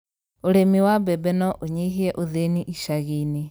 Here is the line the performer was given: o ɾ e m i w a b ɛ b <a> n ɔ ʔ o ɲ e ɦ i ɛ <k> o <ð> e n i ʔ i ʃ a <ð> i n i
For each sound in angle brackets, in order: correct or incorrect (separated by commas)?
incorrect, incorrect, correct, incorrect